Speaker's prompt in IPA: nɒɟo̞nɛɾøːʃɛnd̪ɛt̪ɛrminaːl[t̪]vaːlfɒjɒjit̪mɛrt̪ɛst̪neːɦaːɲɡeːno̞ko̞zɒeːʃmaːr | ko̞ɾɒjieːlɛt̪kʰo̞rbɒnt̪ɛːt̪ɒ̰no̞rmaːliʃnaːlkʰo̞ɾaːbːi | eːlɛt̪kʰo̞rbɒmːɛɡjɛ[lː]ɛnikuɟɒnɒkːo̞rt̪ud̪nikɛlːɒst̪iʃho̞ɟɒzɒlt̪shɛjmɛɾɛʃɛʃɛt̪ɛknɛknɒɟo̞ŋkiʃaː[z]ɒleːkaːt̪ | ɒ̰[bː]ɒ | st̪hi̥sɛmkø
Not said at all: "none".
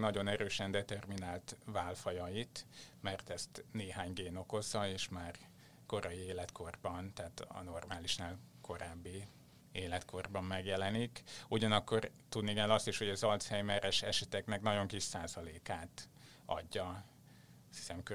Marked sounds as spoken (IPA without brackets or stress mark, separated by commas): t̪, l, z, ɟː